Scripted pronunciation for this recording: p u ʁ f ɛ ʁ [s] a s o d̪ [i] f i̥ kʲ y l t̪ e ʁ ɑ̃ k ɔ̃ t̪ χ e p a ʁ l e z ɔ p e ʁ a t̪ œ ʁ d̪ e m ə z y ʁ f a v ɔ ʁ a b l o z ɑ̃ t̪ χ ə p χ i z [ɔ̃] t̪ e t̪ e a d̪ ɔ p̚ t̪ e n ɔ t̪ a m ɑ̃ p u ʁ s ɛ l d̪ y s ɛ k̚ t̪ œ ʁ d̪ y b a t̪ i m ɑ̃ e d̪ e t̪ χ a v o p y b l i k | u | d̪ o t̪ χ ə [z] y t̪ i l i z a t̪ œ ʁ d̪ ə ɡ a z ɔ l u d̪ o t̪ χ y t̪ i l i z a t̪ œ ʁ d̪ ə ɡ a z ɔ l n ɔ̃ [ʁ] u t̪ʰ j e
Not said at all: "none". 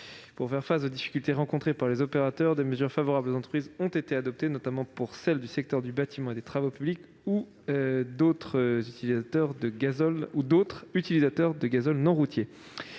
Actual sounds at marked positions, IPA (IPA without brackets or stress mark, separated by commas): f, i, ɔ̃, z, ʁ